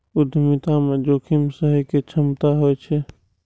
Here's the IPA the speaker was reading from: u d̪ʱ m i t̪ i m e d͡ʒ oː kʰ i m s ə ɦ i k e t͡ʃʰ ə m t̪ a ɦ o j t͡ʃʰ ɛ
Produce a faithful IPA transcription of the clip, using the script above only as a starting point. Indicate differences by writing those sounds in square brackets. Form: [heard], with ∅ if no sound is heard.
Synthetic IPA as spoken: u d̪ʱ m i t̪ [a] m e d͡ʒ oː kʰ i m s ə ɦ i k e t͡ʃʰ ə m t̪ a ɦ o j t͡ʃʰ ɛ